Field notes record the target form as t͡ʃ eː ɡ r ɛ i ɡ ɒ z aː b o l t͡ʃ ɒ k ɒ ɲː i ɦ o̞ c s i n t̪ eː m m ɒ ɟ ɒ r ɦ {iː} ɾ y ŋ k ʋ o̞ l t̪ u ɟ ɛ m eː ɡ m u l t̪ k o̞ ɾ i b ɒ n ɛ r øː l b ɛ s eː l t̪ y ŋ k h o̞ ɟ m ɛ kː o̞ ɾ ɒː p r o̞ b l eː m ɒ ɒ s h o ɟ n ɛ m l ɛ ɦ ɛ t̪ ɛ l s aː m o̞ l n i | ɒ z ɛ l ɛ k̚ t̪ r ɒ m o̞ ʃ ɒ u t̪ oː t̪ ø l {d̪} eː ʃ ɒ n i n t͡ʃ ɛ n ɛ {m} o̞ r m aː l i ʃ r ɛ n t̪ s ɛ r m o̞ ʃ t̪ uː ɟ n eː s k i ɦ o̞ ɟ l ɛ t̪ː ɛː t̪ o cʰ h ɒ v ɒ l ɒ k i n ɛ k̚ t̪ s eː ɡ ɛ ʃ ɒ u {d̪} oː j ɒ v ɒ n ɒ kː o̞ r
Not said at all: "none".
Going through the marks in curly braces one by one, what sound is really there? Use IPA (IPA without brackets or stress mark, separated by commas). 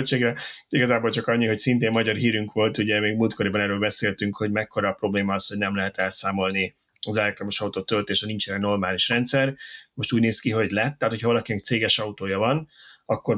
iː, t̪, n, t̪